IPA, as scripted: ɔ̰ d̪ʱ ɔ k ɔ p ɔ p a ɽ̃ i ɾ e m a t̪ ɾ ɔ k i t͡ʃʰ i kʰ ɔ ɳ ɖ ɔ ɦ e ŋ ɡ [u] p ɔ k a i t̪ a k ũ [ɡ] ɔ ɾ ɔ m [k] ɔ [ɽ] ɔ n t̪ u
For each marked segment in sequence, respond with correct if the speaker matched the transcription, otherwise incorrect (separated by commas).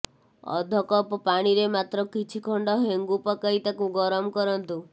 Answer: correct, correct, correct, incorrect